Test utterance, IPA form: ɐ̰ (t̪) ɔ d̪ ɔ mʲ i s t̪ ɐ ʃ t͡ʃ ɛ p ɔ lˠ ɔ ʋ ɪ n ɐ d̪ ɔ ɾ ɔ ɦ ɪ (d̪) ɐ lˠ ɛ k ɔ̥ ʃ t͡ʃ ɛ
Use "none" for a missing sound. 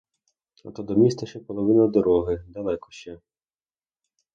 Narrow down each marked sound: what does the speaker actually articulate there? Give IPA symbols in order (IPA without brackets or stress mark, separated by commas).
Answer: t̪, d̪